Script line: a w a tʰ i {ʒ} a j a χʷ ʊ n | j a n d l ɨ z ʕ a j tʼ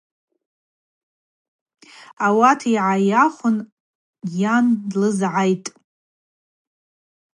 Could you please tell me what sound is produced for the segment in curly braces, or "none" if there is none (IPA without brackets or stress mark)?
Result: ʕ